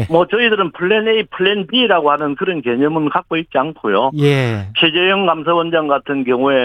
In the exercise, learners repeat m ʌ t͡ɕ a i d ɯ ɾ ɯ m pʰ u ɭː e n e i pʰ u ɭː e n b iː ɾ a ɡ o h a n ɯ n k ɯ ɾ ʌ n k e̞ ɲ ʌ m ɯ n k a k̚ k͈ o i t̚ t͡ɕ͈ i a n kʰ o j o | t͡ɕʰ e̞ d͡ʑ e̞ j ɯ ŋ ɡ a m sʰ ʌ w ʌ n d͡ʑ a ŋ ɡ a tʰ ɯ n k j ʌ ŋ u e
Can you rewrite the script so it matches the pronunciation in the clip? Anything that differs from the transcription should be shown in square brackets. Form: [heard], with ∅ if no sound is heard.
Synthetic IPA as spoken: m ʌ t͡ɕ [ʌ] i d ɯ ɾ ɯ [n] pʰ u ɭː e n e i pʰ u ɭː e n b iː ɾ a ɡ o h a n ɯ n k ɯ ɾ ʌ n k e̞ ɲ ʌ m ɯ n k a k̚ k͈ o i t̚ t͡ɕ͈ i a n kʰ o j o | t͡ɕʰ e̞ d͡ʑ e̞ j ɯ ŋ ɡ a m sʰ [a] w ʌ n d͡ʑ a ŋ ɡ a tʰ ɯ n k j ʌ ŋ u e